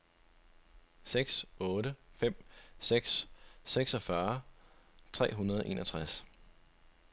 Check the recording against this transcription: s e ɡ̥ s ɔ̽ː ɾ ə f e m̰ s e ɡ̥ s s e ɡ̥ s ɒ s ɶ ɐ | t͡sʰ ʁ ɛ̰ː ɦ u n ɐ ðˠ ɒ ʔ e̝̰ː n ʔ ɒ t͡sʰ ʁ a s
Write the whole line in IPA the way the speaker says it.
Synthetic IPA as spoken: s e ɡ̥ s ɔ̽ː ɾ ə f e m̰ s e ɡ̥ s s e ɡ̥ s ɒ f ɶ ɐ | t͡sʰ ʁ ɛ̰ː ɦ u n ɐ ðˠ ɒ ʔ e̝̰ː n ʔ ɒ t͡sʰ ʁ a s